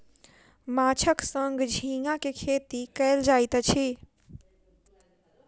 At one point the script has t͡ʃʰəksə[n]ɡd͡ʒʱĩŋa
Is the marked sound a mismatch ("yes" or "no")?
yes